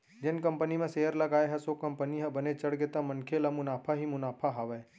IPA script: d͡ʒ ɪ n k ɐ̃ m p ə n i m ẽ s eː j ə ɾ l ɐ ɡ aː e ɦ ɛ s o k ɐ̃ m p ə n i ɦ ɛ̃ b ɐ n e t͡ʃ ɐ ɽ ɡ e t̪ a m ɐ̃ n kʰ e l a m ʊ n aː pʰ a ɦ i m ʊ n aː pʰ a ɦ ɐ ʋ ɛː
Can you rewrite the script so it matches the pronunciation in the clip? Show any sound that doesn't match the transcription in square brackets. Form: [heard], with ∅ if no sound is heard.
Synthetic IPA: d͡ʒ ɪ n k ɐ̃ m p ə n i m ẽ s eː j ə ɾ l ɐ ɡ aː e ɦ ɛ s o k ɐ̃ m p ə n i ɦ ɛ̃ b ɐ n e t͡ʃ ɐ ɽ ɡ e t̪ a m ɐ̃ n kʰ e l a m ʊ n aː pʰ a ɦ i m ʊ n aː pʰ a ɦ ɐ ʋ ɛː